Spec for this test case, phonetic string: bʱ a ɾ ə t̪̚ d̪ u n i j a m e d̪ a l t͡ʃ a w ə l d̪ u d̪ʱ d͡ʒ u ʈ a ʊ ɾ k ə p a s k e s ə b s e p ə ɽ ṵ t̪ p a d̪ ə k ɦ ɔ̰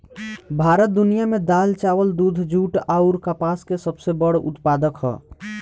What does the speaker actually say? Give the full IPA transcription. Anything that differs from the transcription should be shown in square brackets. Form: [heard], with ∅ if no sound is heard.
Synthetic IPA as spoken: bʱ a ɾ ə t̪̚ d̪ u n i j a m e d̪ a l t͡ʃ a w ə l d̪ u d̪ʱ d͡ʒ u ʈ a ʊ ɾ k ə p a s k e s ə b s e [b] ə ɽ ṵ t̪ p a d̪ ə k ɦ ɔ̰